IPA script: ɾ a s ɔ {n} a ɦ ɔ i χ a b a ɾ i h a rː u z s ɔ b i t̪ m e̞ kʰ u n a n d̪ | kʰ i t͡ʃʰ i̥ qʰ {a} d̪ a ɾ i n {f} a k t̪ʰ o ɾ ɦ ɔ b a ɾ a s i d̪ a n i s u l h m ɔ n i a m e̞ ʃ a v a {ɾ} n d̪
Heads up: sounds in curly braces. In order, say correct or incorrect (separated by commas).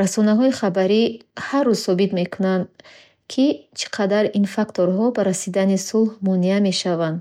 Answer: correct, correct, correct, incorrect